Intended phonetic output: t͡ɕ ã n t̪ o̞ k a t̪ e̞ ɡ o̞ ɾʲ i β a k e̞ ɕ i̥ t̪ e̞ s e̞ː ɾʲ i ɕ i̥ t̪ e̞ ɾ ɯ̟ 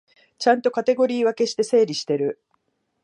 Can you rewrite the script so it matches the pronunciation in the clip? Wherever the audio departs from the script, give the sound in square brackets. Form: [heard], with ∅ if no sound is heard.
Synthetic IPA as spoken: t͡ɕ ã n t̪ o̞ k a t̪ e̞ ɡ o̞ ɾʲ [iː] β a k e̞ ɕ i̥ t̪ e̞ s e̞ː ɾʲ i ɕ i̥ t̪ e̞ ɾ ɯ̟